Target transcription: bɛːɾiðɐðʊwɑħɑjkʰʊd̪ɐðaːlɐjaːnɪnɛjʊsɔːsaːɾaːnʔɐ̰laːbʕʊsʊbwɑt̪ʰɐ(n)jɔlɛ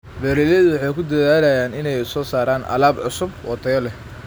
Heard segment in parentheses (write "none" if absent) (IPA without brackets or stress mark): none